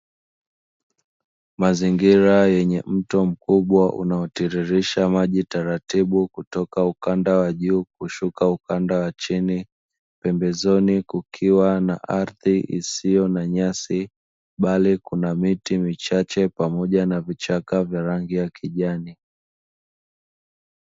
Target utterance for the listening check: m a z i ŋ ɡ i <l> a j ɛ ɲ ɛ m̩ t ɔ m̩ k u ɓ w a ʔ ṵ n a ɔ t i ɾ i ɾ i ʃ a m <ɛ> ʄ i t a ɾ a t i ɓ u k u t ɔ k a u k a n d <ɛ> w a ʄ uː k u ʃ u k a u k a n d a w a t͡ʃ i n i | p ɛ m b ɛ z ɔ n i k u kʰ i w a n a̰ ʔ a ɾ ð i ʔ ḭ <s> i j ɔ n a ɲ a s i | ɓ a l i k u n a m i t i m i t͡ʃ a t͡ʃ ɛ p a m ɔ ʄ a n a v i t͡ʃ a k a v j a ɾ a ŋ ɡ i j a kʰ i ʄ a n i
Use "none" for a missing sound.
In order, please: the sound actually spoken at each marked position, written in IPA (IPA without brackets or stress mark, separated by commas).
ɾ, a, a, s